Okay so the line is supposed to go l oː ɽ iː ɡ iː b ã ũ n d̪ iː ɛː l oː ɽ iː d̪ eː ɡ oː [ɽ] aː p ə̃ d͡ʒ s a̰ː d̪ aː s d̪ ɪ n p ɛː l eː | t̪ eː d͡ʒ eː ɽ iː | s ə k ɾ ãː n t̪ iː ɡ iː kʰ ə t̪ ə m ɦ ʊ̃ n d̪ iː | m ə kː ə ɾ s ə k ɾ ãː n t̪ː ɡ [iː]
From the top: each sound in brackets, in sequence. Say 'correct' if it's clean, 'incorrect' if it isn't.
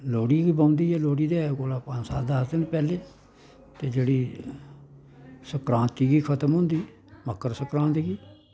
incorrect: l, correct

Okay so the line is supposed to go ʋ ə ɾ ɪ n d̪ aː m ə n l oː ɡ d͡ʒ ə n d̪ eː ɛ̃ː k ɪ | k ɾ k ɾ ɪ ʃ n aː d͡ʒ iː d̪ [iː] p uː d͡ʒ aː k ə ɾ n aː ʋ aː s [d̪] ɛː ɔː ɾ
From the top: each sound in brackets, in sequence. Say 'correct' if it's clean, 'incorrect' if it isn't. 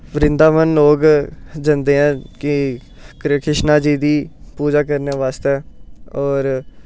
correct, incorrect: t̪

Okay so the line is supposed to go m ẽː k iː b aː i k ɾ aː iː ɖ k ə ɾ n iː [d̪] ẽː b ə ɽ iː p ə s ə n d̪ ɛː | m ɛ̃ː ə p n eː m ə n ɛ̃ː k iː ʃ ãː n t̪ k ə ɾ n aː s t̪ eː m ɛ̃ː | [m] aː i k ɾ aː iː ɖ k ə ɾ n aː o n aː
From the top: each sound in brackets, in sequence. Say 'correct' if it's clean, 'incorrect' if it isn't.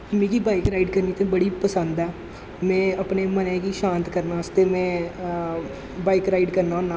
incorrect: t̪, incorrect: b

